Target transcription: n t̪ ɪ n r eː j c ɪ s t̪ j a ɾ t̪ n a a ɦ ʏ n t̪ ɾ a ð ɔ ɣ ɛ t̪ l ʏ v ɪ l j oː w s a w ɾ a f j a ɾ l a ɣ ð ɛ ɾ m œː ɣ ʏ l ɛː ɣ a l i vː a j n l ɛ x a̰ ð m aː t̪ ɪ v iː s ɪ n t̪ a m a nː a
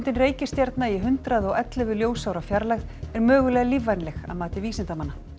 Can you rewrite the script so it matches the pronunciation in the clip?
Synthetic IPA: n t̪ ɪ n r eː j c ɪ s t̪ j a ɾ t̪ n a i ɦ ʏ n t̪ ɾ a ð ɔ ɣ ɛ t̪ l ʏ v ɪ l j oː w s a w ɾ a f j a ɾ l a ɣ ð ɛ ɾ m œː ɣ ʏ l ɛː ɣ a l i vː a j n l ɛ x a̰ ð m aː t̪ ɪ v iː s ɪ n t̪ a m a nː a